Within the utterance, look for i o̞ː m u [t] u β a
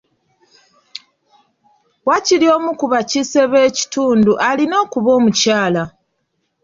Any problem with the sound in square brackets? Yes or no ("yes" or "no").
yes